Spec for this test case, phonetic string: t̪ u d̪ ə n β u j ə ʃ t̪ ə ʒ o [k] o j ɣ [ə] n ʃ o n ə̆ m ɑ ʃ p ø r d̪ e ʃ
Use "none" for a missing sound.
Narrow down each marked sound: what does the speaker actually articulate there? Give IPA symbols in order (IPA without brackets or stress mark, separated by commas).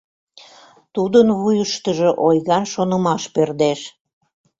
ʔ, ɑ